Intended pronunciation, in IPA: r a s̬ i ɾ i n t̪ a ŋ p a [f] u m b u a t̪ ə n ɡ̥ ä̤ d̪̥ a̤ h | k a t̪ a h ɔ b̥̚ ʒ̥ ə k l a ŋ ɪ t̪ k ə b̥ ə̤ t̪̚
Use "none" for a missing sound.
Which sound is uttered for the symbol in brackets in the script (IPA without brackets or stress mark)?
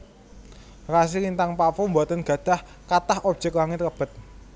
f